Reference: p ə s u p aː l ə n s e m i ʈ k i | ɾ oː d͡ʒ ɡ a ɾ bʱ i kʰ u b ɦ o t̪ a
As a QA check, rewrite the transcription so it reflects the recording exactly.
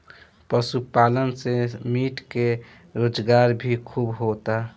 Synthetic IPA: p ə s u p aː l ə n s e m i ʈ k e | ɾ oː d͡ʒ ɡ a ɾ bʱ i kʰ u b ɦ o t̪ a